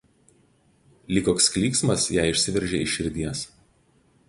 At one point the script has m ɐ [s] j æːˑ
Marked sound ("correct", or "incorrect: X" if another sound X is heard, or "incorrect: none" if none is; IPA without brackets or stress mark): correct